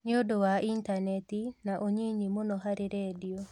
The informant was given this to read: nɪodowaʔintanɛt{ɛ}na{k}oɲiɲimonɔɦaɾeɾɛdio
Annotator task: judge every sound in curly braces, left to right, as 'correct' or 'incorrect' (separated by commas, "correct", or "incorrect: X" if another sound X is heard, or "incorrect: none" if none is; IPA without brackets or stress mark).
incorrect: i, incorrect: ʔ